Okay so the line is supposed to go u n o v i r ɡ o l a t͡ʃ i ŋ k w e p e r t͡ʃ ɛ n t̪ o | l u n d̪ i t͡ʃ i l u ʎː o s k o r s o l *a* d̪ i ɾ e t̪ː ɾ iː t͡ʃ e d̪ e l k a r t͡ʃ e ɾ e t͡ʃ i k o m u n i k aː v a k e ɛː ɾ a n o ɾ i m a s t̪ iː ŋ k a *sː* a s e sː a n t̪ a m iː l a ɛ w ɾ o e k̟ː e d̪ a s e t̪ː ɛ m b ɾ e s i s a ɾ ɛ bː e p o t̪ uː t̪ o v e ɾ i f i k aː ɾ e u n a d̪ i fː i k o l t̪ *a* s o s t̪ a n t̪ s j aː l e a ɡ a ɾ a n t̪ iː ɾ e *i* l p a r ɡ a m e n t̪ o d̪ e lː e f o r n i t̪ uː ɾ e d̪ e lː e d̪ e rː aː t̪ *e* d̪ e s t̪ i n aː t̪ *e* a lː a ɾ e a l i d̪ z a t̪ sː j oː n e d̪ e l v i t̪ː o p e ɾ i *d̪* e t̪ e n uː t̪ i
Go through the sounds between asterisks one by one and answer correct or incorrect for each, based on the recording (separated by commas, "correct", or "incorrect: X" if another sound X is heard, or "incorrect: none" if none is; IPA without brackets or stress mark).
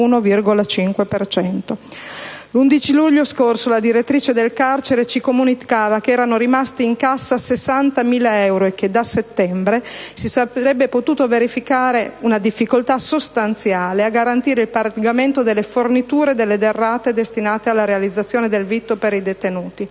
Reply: correct, correct, correct, correct, correct, correct, correct